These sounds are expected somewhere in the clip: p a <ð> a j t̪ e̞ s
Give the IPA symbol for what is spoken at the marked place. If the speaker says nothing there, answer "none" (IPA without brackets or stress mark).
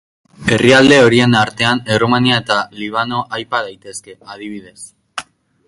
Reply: ð